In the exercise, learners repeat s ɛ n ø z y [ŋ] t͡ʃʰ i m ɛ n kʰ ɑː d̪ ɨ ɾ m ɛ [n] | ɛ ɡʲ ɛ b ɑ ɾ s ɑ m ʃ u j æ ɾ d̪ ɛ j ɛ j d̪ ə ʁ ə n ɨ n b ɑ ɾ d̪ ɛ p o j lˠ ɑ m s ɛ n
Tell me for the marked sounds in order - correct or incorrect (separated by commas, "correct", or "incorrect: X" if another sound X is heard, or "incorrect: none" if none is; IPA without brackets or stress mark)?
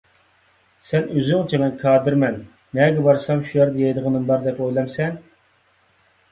correct, incorrect: nː